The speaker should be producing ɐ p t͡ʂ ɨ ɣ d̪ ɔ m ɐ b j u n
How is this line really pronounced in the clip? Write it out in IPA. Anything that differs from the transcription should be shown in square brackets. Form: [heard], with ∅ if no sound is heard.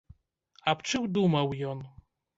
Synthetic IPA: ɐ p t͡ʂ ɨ [w] d̪ [u] m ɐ [w] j [ɔ] n

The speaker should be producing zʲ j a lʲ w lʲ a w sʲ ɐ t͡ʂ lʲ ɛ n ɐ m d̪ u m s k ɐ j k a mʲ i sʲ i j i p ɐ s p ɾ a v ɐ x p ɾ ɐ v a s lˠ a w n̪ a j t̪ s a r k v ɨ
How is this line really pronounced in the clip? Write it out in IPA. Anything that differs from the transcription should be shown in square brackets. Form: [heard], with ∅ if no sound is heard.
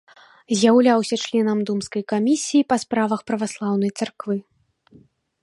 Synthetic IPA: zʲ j a [∅] w lʲ a w sʲ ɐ t͡ʂ lʲ ɛ n ɐ m d̪ u m s k ɐ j k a mʲ i sʲ i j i p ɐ s p ɾ a v ɐ x p ɾ ɐ v a s lˠ a w n̪ [ɐ] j t̪ s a r k v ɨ

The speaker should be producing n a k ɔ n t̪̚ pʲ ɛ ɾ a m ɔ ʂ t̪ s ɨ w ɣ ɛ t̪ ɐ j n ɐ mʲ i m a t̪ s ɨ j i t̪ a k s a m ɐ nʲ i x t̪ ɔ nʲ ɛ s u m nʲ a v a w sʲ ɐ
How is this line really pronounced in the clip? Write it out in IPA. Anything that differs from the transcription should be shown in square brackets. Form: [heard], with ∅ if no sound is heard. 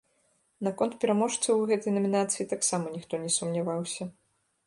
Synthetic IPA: n a k ɔ n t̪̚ pʲ ɛ ɾ a m ɔ ʂ t̪ s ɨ w ɣ ɛ t̪ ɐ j n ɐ mʲ i [n] a t̪ s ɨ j i t̪ a k s a m ɐ nʲ i x t̪ ɔ nʲ ɛ s u m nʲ a v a w sʲ ɐ

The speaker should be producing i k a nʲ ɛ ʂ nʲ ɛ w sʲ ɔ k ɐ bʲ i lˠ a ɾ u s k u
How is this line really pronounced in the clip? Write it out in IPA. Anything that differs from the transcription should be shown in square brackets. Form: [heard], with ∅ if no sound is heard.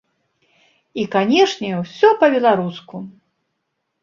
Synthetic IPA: i k a nʲ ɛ ʂ nʲ ɛ w sʲ ɔ [p] ɐ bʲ [ɛ] lˠ a ɾ u s k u

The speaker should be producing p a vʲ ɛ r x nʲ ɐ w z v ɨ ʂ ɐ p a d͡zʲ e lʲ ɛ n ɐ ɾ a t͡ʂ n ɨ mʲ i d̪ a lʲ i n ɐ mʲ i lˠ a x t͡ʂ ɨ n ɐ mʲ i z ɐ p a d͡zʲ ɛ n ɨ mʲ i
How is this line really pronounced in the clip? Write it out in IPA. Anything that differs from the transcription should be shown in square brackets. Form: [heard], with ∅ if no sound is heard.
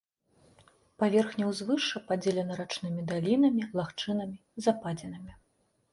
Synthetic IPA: p a vʲ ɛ r x nʲ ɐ w z v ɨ ʂ ɐ p a d͡zʲ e lʲ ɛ n ɐ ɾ a t͡ʂ n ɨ mʲ i d̪ a lʲ i n ɐ mʲ i lˠ a x t͡ʂ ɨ n ɐ mʲ i z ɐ p a d͡zʲ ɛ n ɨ mʲ i

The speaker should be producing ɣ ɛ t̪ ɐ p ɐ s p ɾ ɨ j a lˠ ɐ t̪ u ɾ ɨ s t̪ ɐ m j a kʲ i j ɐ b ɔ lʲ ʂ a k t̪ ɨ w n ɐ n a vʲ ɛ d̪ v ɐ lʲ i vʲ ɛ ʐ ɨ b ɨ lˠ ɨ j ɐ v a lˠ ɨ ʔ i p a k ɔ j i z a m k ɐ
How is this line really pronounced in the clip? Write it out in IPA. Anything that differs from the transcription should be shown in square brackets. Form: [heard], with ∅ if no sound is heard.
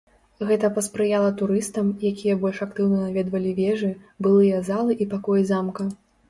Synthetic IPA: ɣ ɛ t̪ ɐ p ɐ s p ɾ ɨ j a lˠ ɐ t̪ u ɾ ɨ s t̪ ɐ m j a kʲ i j ɐ b ɔ lʲ ʂ a k t̪ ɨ w n ɐ n a vʲ ɛ d̪ v ɐ lʲ i vʲ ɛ ʐ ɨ b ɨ lˠ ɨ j ɐ [z] a lˠ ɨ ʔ i p a k ɔ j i z a m k ɐ

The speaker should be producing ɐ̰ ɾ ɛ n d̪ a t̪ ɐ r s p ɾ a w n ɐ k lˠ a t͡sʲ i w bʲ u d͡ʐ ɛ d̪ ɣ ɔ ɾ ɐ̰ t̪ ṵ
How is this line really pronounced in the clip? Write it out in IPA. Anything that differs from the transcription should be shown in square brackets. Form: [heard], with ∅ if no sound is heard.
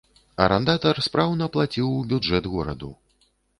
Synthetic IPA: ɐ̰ ɾ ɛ n d̪ a t̪ ɐ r s p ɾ a w n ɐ [p] lˠ a t͡sʲ i w bʲ u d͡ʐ ɛ d̪ ɣ ɔ ɾ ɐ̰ [d̪] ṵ

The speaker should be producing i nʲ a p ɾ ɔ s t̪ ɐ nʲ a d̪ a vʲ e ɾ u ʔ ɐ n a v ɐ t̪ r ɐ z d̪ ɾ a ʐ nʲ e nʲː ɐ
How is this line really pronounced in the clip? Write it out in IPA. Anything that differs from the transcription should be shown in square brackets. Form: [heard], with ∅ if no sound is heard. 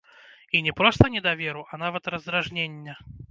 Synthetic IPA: i nʲ [ɛ] p ɾ ɔ s t̪ ɐ nʲ [ɛ] d̪ a vʲ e ɾ u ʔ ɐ n a v ɐ t̪ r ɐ z d̪ ɾ a ʐ nʲ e nʲː ɐ

